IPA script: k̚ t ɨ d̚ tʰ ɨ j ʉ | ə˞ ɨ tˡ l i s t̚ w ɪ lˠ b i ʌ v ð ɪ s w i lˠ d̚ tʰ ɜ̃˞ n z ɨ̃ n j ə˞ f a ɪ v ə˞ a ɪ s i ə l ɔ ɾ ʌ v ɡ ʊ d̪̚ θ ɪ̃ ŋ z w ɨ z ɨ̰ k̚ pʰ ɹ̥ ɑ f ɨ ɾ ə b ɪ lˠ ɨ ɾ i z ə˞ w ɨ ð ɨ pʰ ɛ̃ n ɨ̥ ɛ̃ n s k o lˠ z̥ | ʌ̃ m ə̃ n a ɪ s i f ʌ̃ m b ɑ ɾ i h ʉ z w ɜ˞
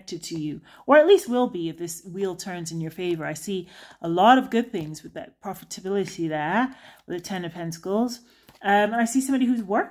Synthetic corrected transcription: k̚ t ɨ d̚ tʰ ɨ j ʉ | ə˞ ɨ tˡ l i s t̚ w ɪ lˠ b i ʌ v ð ɪ s w i lˠ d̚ tʰ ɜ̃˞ n z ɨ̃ n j ə˞ f e ɪ v ə˞ a ɪ s i ə l ɔ ɾ ʌ v ɡ ʊ d̪̚ θ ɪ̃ ŋ z w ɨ ð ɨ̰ t̚ pʰ ɹ̥ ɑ f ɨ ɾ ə b ɪ lˠ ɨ ɾ i ð ə˞ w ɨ ð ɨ tʰ ɛ̃ n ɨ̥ ɛ̃ n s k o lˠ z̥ | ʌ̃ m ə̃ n a ɪ s i s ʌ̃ m b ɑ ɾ i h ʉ z w ɜ˞